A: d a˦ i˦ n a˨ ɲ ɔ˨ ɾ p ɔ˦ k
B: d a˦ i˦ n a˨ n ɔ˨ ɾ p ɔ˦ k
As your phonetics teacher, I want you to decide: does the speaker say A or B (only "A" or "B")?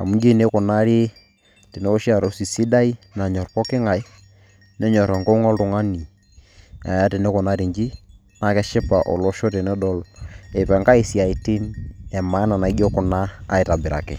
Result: A